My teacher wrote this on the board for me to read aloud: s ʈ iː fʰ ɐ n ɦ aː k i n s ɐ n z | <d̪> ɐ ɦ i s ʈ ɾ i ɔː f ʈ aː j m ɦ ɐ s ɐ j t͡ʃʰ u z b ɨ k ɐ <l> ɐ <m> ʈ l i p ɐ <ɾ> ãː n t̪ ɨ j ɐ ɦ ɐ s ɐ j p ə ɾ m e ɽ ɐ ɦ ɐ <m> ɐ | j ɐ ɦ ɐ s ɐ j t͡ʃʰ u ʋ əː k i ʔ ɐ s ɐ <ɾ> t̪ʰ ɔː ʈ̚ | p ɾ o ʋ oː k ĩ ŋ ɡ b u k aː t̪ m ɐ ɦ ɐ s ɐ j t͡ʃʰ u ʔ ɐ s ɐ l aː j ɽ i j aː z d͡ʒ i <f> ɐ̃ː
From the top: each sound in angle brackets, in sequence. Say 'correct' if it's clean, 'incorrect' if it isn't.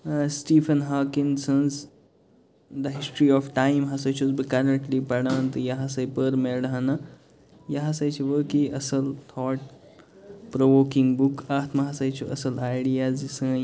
correct, incorrect: ɾ, incorrect: ɳ, incorrect: ɽ, incorrect: n, incorrect: l, incorrect: s

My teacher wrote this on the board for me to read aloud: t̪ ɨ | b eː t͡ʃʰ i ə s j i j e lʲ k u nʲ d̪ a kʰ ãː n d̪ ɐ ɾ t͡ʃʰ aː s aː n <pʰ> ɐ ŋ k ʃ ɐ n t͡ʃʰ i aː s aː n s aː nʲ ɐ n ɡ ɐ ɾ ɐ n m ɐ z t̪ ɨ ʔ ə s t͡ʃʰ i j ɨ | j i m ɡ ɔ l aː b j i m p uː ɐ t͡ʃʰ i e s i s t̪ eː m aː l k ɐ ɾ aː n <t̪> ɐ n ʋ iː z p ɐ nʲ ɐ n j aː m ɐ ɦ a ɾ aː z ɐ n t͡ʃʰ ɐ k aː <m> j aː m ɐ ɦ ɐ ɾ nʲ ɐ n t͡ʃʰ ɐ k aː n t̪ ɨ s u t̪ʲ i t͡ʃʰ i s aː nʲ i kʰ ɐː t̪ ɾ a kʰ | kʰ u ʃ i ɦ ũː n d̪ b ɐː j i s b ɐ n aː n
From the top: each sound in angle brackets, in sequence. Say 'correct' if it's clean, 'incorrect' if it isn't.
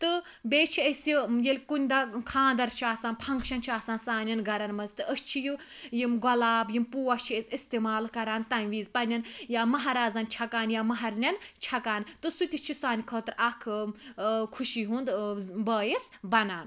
correct, correct, incorrect: n

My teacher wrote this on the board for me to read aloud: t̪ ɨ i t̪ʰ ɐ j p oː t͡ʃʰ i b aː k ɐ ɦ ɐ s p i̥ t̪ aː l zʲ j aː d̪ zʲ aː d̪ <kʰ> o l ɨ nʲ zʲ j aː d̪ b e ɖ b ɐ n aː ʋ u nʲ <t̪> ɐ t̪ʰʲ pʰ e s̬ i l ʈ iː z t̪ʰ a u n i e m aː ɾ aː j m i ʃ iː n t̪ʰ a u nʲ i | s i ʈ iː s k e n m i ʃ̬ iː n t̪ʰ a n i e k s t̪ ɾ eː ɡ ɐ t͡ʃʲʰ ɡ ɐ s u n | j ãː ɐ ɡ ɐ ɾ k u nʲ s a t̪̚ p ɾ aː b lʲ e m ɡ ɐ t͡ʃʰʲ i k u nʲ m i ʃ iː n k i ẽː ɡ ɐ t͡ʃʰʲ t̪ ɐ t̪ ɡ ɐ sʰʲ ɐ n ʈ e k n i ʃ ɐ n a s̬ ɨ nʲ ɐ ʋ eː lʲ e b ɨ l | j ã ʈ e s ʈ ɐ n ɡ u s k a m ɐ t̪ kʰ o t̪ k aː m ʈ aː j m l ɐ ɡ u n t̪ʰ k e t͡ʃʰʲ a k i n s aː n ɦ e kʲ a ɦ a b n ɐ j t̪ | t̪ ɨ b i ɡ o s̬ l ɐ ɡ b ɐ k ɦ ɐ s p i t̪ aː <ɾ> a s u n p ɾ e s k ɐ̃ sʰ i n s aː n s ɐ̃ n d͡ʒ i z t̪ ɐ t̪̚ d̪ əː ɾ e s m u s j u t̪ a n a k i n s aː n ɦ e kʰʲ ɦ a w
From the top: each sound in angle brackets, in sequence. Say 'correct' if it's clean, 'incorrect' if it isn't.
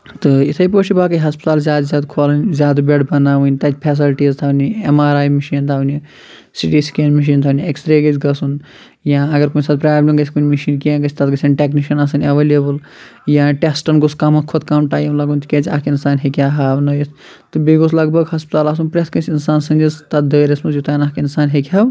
correct, correct, incorrect: l

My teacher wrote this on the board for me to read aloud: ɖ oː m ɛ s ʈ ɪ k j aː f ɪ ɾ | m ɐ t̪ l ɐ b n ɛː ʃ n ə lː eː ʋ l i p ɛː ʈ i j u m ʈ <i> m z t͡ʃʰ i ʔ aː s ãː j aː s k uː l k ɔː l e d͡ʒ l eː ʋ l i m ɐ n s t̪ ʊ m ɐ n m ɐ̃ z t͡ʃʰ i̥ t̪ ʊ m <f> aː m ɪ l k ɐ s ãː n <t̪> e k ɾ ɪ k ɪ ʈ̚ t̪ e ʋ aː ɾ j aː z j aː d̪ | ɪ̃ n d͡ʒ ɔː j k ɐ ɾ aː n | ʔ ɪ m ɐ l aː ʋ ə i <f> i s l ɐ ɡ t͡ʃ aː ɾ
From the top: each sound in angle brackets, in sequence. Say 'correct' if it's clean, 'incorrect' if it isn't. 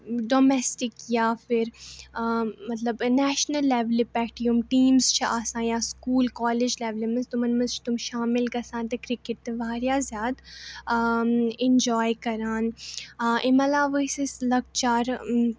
incorrect: iː, incorrect: ʃ, correct, incorrect: s

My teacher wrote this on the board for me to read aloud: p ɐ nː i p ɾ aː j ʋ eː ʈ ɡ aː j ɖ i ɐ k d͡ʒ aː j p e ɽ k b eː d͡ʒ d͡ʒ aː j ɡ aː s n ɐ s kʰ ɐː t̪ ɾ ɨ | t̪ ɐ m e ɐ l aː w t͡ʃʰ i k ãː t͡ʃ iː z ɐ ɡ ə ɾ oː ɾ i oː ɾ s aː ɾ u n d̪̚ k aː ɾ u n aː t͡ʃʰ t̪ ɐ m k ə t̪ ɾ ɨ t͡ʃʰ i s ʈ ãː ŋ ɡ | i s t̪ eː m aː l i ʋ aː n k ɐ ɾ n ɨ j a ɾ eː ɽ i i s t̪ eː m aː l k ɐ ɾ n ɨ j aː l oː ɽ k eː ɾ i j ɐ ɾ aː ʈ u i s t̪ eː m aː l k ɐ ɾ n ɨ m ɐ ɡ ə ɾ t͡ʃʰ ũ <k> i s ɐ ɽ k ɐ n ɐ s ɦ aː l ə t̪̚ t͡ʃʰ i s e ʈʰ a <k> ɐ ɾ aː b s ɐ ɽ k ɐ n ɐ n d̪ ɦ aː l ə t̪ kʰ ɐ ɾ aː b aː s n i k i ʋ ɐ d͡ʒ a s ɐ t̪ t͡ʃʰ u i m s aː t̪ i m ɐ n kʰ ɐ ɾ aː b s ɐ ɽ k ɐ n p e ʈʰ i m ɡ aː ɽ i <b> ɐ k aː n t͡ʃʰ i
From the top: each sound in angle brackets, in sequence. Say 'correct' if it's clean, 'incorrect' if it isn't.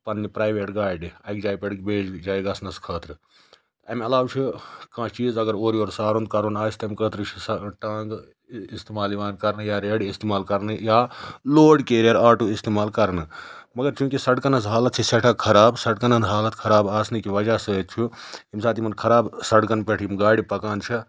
correct, incorrect: kʰ, incorrect: p

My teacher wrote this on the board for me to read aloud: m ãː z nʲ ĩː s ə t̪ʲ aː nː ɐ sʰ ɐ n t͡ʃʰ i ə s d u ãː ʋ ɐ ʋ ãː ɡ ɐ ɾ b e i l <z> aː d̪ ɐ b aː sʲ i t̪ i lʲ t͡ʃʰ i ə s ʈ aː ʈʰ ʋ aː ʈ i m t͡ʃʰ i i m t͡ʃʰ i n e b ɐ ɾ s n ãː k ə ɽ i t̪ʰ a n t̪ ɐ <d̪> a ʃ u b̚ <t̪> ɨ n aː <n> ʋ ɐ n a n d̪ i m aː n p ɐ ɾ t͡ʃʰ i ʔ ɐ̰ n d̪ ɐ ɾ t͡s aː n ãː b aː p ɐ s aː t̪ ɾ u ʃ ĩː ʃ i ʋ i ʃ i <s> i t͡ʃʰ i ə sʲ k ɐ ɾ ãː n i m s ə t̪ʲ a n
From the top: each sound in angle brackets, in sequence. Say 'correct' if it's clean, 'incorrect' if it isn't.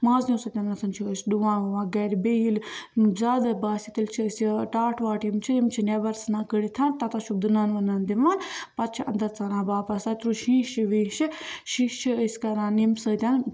correct, incorrect: t̪, incorrect: d̪, correct, incorrect: ʃ

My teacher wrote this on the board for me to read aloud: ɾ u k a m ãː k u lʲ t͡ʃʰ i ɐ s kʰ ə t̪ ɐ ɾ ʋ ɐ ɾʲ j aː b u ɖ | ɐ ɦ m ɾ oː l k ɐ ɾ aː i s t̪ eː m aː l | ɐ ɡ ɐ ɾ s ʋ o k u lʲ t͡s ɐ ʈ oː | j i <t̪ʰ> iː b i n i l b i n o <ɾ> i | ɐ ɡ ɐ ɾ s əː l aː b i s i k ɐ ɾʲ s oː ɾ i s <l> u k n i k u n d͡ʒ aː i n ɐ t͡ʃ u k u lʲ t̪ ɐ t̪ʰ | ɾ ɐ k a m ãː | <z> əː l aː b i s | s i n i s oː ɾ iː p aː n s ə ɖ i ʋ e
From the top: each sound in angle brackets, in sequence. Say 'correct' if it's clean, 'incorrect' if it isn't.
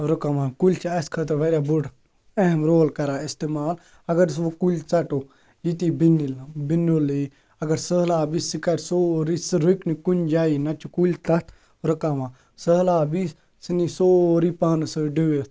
incorrect: t̪, incorrect: l, incorrect: ɾ, incorrect: s

